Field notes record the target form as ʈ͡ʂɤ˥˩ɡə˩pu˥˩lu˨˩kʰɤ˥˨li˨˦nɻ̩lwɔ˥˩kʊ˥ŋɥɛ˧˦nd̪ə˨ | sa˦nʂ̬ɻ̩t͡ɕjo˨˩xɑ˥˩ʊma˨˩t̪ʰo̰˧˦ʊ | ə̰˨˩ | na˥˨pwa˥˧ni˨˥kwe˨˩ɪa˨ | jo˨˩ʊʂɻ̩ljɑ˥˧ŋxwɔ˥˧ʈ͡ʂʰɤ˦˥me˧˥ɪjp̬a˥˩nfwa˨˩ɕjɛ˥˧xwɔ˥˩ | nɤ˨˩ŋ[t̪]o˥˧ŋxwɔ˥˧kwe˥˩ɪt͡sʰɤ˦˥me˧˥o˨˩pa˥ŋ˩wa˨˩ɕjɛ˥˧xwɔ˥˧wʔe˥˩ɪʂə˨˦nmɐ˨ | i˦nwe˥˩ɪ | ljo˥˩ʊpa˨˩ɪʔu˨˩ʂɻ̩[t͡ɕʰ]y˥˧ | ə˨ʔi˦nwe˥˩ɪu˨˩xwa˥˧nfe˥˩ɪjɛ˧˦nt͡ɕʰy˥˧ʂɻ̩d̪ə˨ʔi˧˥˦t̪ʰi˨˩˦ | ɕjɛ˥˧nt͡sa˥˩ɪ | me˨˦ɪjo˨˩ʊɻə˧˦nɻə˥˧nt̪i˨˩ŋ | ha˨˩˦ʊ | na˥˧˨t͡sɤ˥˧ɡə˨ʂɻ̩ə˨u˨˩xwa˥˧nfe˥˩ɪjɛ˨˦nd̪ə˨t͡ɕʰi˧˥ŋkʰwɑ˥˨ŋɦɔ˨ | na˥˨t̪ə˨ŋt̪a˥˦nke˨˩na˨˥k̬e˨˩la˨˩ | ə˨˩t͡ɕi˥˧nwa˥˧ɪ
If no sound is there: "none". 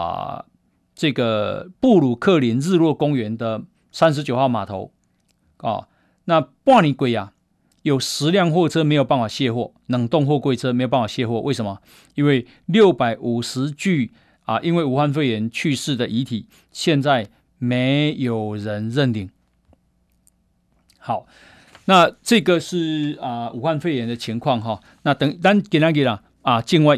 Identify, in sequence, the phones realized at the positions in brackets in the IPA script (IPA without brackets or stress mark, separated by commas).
t̪, t͡ɕ